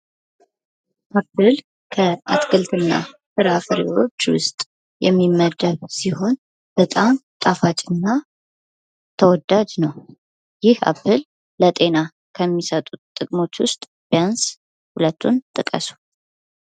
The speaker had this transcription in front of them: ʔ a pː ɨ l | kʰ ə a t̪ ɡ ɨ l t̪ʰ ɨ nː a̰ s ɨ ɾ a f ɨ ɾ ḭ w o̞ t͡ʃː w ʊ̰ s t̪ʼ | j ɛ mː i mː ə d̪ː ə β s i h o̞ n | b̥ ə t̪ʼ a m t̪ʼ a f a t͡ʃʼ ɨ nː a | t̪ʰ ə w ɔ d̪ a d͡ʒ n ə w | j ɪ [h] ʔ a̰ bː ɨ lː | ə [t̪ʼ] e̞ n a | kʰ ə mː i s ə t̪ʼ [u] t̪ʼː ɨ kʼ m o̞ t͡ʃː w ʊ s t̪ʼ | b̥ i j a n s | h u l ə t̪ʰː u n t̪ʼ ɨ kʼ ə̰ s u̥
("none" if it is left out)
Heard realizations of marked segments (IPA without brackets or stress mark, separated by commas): h, t̪ʼ, u